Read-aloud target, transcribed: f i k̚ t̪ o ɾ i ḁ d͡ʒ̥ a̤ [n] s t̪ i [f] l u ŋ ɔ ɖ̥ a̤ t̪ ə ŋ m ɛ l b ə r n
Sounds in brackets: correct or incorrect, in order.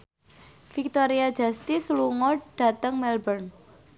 incorrect, incorrect

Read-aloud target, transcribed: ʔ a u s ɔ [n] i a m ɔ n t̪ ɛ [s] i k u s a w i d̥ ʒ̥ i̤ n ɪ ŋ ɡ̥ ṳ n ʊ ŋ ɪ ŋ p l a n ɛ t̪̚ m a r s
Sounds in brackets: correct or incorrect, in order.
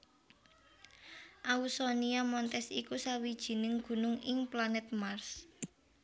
correct, correct

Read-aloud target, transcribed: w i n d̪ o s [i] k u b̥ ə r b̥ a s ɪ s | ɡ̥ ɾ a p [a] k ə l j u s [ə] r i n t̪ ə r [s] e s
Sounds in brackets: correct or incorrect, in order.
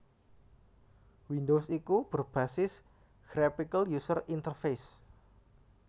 correct, incorrect, correct, incorrect

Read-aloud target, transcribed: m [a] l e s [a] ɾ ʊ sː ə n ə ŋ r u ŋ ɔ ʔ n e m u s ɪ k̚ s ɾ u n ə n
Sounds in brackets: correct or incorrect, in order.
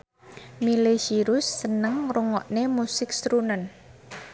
incorrect, incorrect

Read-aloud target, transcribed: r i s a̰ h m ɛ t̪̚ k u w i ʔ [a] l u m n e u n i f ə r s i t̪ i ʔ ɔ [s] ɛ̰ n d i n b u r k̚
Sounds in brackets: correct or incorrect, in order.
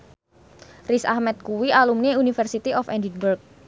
correct, incorrect

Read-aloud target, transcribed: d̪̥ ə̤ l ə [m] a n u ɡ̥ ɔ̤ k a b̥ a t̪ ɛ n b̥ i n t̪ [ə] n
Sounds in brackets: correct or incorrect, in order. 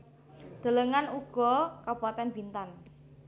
incorrect, incorrect

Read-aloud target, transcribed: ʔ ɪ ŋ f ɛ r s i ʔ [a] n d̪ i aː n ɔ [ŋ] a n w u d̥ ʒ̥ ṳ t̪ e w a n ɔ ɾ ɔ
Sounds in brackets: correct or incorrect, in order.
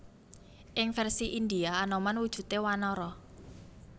incorrect, incorrect

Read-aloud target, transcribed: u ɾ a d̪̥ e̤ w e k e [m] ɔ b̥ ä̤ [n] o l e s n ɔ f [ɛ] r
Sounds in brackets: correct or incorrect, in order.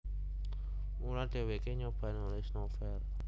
incorrect, correct, correct

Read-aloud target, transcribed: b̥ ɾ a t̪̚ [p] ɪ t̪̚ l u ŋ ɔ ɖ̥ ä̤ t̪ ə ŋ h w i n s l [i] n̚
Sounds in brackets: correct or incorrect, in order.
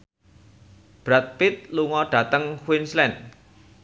correct, incorrect

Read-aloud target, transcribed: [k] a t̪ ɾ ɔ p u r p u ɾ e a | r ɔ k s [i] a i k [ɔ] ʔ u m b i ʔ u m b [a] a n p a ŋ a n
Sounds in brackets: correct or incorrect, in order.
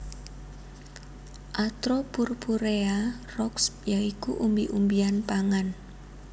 incorrect, incorrect, incorrect, incorrect

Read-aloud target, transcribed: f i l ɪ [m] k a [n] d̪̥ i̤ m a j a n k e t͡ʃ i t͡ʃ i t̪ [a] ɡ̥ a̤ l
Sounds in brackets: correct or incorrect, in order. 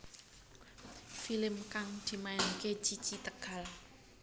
correct, incorrect, incorrect

